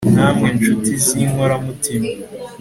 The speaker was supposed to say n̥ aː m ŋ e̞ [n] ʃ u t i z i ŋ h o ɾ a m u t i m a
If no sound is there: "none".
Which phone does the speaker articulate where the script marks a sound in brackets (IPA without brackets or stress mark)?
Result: n